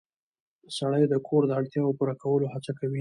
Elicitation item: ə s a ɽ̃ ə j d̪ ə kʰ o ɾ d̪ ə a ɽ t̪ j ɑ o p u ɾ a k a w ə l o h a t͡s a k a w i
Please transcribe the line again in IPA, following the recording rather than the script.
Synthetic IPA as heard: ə s a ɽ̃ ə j d̪ ə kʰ o ɾ d̪ ə a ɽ t̪ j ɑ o p u ɾ a k a w ə l o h a t͡s a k a w i